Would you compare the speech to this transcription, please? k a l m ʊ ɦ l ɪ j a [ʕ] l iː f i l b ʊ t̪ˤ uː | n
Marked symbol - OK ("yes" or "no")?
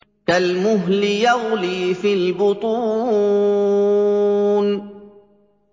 no